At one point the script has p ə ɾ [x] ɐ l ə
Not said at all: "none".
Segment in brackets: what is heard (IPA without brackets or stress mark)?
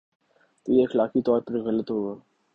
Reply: ɣ